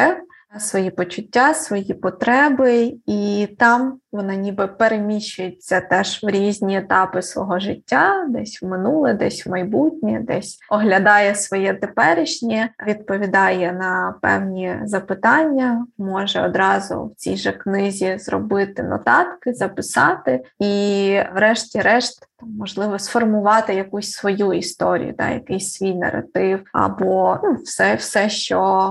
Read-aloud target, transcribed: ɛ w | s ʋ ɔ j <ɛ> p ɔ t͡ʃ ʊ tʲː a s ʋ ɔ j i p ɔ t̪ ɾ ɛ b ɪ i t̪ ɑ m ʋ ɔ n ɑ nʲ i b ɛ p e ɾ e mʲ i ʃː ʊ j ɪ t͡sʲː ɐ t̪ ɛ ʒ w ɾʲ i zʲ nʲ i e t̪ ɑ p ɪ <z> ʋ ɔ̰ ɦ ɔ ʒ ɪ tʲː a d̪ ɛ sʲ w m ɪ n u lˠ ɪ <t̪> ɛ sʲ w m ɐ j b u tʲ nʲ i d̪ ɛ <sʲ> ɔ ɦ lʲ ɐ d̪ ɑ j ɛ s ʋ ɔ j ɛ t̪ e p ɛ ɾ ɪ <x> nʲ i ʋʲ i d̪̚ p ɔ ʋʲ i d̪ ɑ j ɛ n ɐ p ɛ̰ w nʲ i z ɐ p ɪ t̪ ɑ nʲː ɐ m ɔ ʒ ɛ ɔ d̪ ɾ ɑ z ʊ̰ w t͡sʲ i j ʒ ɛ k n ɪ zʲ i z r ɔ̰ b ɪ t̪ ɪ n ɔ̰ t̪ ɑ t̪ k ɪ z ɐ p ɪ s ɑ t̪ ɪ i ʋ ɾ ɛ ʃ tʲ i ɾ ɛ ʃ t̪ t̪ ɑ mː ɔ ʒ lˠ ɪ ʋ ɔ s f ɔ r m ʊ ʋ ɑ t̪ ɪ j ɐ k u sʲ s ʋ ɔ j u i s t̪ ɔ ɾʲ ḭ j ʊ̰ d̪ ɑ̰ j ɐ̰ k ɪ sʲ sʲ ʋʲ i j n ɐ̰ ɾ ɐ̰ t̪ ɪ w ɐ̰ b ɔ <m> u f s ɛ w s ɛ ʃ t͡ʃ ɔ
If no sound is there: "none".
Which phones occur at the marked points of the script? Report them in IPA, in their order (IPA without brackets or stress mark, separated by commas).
i, s, d̪, sʲ, ʃ, n